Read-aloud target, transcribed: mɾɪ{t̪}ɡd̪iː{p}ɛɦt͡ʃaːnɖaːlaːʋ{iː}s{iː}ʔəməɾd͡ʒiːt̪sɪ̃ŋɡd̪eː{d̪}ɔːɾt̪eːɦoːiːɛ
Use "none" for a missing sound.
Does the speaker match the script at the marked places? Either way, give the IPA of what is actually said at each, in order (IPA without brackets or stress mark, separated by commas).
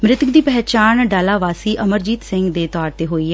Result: t̪, p, aː, iː, t̪